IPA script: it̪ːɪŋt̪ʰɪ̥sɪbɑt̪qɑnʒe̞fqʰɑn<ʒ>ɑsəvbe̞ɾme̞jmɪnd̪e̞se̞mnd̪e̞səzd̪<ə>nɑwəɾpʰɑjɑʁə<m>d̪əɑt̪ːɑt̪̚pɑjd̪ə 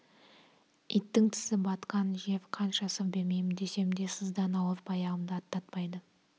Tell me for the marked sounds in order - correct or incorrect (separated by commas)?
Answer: incorrect, incorrect, correct